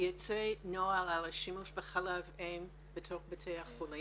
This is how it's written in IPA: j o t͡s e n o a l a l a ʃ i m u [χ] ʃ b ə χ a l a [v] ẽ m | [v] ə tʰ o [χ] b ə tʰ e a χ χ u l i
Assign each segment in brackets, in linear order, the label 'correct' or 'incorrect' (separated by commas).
incorrect, correct, incorrect, correct